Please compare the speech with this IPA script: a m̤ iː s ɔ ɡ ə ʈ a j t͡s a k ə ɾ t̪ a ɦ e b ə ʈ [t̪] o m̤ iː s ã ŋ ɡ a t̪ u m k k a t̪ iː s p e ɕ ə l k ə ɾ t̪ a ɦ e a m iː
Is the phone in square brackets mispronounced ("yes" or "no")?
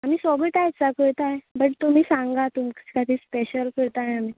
no